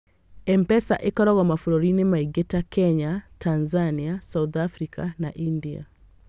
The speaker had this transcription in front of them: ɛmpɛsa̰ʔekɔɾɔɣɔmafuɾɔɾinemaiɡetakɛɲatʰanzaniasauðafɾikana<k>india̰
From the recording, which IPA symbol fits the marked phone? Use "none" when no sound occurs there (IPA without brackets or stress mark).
ʔ